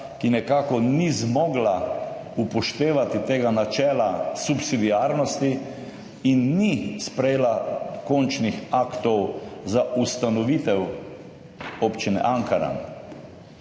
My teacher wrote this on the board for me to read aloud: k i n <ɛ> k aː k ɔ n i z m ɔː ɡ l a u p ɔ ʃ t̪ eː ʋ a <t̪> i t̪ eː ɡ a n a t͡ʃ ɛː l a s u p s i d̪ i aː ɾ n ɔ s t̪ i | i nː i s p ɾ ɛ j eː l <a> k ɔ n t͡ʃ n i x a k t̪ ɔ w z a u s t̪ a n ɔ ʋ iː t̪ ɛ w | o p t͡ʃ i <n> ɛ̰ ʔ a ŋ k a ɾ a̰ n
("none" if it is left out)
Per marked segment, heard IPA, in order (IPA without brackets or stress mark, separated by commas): ɛ, t̪, a, n